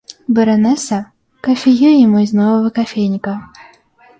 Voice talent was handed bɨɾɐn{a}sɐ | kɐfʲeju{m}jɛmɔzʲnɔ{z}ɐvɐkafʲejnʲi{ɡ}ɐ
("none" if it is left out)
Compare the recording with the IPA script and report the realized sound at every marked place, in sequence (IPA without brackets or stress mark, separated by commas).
ɛ, none, v, k